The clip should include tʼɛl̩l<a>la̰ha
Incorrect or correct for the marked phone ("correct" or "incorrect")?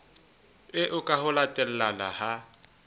correct